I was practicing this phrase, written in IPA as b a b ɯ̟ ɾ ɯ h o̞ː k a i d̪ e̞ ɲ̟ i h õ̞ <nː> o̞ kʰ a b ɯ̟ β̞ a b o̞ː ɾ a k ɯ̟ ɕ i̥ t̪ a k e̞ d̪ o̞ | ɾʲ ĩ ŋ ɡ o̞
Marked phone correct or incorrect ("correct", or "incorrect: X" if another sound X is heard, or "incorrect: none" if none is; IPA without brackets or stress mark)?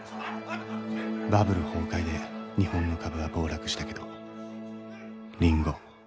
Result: correct